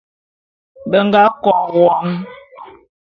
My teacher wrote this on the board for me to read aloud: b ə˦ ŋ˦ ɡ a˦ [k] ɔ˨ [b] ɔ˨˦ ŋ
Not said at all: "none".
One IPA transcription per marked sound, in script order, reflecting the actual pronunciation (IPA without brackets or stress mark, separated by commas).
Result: k, w